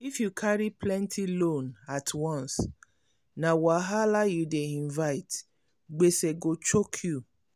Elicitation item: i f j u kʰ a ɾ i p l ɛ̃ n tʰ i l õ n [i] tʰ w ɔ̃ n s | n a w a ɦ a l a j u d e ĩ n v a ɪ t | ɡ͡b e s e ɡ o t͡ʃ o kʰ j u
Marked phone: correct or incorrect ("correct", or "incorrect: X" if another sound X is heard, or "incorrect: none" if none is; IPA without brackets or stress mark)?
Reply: incorrect: a